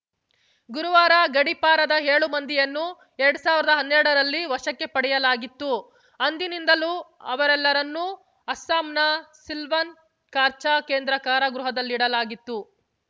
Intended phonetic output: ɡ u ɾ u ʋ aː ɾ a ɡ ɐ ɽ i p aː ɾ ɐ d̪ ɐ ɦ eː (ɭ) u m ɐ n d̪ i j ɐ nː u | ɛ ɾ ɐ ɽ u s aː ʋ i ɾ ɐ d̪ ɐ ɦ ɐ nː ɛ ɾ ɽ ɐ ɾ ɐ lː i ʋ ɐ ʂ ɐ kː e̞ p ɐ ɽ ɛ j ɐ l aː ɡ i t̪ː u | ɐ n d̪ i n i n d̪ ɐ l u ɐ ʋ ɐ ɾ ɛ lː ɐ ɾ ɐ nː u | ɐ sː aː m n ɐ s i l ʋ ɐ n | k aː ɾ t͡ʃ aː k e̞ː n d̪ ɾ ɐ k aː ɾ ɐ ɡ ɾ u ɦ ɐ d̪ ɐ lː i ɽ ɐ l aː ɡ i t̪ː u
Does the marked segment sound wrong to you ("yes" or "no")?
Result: no